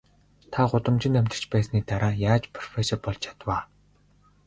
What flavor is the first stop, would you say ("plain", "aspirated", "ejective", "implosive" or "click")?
aspirated